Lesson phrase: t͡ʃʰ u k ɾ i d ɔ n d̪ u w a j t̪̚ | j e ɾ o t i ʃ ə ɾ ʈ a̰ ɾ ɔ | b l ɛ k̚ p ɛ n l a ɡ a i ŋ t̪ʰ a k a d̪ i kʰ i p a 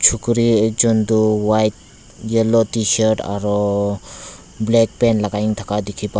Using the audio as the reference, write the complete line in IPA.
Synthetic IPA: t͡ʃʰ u k ɾ i d͡ʒ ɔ n d̪ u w a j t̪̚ | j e l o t i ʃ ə ɾ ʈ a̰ ɾ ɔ | b l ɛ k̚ p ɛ n l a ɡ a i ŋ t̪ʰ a k a d̪ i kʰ i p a